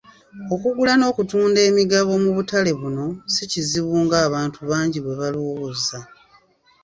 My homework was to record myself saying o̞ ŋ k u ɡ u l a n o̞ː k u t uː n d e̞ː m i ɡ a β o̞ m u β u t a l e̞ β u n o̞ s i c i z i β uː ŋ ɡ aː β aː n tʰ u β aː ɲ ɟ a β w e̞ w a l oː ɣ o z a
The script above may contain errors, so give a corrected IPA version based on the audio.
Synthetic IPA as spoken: o̞ k u ɡ u l a n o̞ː k u t uː n d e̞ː m i ɡ a β o̞ m u β u t a l e̞ β u n o̞ s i c i z i β uː ŋ ɡ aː β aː n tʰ u β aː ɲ ɟ i β w e̞ β a l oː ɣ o z a